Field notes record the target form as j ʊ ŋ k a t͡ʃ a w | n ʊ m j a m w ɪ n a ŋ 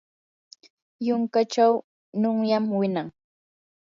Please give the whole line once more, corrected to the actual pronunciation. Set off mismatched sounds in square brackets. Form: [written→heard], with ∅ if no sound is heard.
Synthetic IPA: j ʊ ŋ k a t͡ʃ a w | n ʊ [m→ŋ] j a m w ɪ n a ŋ